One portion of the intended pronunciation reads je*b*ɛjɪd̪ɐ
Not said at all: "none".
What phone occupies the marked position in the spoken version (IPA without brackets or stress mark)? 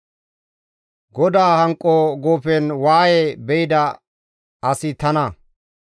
b